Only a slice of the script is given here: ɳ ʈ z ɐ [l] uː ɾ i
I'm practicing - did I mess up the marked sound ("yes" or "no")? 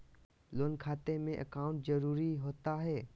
yes